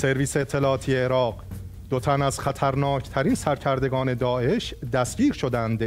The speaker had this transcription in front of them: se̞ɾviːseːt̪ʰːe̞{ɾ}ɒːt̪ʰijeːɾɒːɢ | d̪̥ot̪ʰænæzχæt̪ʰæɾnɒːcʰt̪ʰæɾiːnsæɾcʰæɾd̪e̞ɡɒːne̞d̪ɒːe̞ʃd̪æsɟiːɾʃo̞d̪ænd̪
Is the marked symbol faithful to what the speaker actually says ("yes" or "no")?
no